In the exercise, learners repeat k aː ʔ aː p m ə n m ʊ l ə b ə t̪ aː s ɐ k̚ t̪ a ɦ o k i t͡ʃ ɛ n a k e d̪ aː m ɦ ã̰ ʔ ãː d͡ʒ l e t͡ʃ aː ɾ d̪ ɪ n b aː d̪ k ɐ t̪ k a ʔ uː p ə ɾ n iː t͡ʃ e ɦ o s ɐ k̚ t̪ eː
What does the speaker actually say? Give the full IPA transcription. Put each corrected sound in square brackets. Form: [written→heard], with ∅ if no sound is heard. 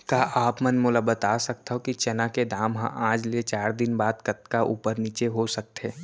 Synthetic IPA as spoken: k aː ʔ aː p m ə n m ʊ l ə b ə t̪ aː s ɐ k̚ t̪ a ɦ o k i t͡ʃ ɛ n a k e d̪ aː m ɦ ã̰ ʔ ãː d͡ʒ l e t͡ʃ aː ɾ d̪ ɪ n b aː d̪ k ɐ t̪ k a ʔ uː p ə ɾ n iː t͡ʃ e ɦ o s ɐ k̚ t̪ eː

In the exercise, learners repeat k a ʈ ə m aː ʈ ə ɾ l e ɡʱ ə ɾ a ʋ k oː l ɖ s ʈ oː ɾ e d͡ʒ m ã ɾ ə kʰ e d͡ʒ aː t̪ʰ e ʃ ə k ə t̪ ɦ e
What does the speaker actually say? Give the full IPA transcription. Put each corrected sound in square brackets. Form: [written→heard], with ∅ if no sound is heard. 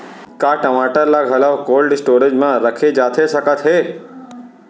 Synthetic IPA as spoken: k a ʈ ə m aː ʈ ə ɾ l [e→a] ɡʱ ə [ɾ→l] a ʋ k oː l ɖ s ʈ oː ɾ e d͡ʒ m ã ɾ ə kʰ e d͡ʒ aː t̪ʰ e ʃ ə k ə t̪ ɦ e

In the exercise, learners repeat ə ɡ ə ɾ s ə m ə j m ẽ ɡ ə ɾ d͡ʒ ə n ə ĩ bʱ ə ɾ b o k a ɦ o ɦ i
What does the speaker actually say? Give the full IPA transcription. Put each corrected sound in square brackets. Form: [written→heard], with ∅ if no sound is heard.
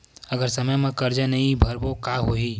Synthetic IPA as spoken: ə ɡ ə ɾ s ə m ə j m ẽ [ɡ→k] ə ɾ d͡ʒ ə n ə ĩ bʱ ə ɾ b o k a ɦ o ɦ i

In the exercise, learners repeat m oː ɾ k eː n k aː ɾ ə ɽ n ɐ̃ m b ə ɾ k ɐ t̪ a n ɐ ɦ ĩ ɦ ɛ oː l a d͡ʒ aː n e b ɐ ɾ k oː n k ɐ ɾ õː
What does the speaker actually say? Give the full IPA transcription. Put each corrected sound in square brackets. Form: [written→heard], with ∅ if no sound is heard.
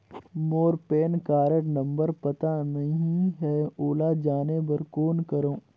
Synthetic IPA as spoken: m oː ɾ [k→p] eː n k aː ɾ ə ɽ n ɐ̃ m b ə ɾ [k→p] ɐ t̪ a n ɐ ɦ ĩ ɦ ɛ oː l a d͡ʒ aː n e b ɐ ɾ k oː n k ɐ ɾ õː

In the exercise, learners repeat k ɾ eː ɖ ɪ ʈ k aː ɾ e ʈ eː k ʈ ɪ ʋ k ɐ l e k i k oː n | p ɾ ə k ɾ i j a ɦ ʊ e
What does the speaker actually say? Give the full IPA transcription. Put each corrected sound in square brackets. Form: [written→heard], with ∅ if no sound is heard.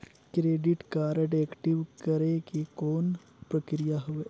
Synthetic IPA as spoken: k ɾ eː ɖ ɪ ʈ k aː ɾ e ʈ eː k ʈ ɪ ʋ k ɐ [l→ɾ] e k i k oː n | p ɾ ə k ɾ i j a ɦ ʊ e

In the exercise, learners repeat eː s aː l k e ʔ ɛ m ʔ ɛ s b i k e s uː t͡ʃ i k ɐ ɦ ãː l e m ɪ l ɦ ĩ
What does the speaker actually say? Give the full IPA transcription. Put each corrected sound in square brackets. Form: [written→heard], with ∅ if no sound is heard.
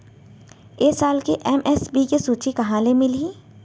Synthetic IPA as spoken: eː s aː l k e ʔ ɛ m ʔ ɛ s b i k e s uː t͡ʃ i k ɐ ɦ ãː l e m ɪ l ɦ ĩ

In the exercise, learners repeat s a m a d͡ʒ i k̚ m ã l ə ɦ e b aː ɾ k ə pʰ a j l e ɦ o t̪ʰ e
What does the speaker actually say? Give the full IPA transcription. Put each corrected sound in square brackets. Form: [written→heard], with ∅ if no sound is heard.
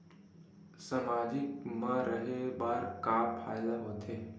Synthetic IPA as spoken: s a m a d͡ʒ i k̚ m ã [l→ɾ] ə ɦ e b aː ɾ k [ə→a] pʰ a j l [e→a] ɦ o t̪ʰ e

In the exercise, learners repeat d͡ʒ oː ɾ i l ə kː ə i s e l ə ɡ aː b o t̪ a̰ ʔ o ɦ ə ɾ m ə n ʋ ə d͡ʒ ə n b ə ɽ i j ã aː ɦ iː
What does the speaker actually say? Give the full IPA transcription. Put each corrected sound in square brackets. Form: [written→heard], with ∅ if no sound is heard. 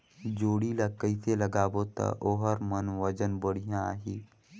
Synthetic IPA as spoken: d͡ʒ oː [ɾ→ɽ] i l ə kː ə i s e l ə ɡ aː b o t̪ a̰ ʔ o ɦ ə ɾ m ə n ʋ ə d͡ʒ ə n b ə ɽ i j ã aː ɦ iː

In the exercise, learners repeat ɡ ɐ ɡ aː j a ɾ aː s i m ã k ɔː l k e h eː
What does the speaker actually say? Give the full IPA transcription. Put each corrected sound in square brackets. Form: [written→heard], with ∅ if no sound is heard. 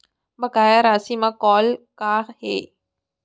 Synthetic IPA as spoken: [ɡ→b] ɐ ɡ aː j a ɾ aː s i m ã k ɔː l k [e→a] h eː

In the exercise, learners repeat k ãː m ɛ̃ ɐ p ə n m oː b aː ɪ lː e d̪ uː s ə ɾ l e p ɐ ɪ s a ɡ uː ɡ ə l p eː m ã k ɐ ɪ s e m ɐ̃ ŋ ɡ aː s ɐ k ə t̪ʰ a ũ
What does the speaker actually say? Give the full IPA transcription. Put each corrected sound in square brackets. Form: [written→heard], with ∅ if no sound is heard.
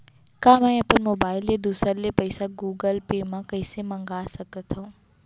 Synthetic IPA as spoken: k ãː m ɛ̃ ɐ p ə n m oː b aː ɪ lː e d̪ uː s ə ɾ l e p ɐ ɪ s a ɡ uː ɡ ə l p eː m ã k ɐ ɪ s e m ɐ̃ ŋ ɡ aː s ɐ k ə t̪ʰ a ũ

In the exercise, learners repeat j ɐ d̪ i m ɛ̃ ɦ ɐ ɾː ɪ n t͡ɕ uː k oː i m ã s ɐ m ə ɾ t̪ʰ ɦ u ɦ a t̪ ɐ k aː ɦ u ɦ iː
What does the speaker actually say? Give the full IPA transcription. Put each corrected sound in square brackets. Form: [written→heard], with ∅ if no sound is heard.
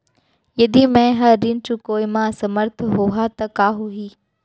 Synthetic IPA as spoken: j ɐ d̪ i m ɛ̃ ɦ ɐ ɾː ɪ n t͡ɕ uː k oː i m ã s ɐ m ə ɾ t̪ʰ ɦ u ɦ a t̪ ɐ k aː ɦ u ɦ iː

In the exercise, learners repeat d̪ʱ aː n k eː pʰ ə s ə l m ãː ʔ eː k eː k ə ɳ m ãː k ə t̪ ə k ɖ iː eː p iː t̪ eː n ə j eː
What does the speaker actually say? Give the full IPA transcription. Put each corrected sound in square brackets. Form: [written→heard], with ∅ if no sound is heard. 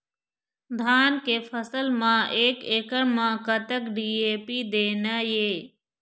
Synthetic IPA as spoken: d̪ʱ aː n k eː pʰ ə s ə l m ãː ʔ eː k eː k ə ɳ m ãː k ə t̪ ə k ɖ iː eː p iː [t̪→d̪] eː n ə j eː

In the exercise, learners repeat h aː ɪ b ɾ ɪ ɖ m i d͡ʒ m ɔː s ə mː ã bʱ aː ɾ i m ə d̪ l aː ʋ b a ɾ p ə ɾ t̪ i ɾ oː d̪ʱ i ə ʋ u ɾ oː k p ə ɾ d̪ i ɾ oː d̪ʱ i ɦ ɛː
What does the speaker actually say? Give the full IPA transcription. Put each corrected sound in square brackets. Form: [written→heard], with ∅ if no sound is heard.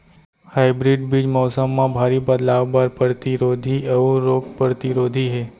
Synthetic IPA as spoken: h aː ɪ b ɾ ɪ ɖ [m→b] i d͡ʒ m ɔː s ə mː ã bʱ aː ɾ i [m→b] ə d̪ l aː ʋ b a ɾ p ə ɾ t̪ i ɾ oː d̪ʱ i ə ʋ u ɾ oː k p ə ɾ [d̪→t̪] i ɾ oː d̪ʱ i ɦ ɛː

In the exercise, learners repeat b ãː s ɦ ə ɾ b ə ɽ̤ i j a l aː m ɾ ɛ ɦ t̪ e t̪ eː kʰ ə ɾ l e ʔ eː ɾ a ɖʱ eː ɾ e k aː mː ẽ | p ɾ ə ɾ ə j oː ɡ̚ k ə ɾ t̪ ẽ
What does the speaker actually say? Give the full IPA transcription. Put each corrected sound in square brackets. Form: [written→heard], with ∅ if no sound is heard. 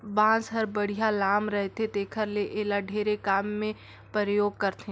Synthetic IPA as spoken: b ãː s ɦ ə ɾ b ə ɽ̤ i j a l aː m ɾ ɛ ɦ t̪ e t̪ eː kʰ ə ɾ l e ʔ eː [ɾ→l] a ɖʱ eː ɾ e k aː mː ẽ | p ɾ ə ɾ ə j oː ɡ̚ k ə ɾ t̪ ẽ

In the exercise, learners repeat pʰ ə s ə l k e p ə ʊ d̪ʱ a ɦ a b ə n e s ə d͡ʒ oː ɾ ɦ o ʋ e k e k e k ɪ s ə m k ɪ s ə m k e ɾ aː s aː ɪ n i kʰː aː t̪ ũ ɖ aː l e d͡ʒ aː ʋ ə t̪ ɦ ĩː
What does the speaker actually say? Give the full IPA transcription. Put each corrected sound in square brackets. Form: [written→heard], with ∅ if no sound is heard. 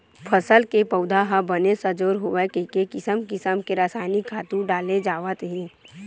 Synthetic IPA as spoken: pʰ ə s ə l k e p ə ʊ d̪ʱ a ɦ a b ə n e s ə d͡ʒ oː ɾ ɦ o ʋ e k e k e k ɪ s ə m k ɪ s ə m k e ɾ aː s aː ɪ n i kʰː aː t̪ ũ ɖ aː l e d͡ʒ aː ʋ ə t̪ ɦ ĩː

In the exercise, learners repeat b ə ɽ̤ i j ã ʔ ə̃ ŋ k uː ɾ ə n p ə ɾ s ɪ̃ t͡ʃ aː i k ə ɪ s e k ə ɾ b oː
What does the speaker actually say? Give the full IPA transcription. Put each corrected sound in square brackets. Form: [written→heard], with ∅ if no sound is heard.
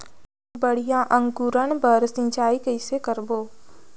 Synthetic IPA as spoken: b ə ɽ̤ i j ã ʔ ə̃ ŋ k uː ɾ ə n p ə ɾ s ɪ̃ t͡ʃ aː i k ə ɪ s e k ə ɾ b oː

